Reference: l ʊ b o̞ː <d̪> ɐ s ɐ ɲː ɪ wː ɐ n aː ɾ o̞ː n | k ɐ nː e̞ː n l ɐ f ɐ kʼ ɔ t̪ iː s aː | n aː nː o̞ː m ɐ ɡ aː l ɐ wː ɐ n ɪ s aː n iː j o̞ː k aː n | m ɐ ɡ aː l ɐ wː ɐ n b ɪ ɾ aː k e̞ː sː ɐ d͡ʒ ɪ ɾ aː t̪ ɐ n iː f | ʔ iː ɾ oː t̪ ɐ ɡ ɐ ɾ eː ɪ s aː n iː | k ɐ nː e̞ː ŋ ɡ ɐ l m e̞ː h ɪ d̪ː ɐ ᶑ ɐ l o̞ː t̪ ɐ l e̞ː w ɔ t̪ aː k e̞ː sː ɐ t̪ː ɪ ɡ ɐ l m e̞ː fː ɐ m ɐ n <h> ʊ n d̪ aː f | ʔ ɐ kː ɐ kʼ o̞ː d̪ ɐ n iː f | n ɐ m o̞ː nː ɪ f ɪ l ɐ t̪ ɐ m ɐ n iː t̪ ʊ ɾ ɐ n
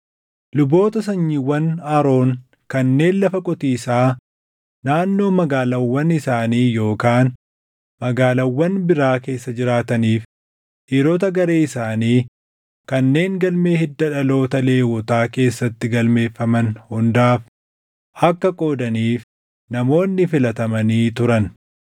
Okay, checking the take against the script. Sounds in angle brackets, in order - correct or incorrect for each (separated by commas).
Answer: incorrect, correct